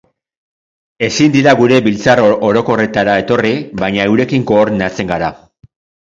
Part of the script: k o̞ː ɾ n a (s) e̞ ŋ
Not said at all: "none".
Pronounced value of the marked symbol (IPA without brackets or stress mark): t͡s